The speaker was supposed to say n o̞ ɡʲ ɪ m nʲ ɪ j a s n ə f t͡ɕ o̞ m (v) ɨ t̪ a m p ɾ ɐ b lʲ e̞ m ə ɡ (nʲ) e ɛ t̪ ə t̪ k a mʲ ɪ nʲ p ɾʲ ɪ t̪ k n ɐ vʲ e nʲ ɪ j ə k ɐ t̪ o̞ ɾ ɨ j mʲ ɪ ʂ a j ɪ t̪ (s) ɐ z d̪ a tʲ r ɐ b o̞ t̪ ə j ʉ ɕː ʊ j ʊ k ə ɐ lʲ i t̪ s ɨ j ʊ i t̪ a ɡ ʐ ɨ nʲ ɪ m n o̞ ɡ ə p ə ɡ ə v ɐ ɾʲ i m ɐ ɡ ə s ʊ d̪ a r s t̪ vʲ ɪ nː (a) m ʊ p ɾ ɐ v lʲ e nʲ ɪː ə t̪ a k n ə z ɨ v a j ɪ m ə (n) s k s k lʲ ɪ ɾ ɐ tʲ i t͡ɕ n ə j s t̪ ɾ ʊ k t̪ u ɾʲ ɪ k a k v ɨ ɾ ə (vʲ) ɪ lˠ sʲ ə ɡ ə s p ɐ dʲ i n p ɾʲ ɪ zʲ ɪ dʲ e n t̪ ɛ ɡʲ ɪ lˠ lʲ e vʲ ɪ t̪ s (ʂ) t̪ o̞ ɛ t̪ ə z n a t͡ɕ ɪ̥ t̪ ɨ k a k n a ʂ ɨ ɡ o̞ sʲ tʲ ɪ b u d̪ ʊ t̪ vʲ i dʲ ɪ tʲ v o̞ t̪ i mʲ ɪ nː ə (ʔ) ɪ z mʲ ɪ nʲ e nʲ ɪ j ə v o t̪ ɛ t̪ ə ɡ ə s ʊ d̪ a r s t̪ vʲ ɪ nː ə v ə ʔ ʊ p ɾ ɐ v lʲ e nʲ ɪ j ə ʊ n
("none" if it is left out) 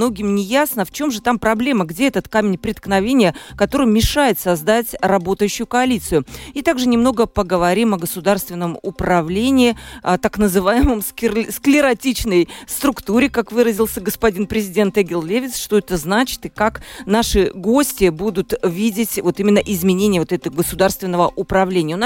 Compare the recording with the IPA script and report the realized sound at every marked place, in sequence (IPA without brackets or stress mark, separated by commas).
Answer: ʐ, dʲ, s, ə, m, zʲ, ʂ, ʔ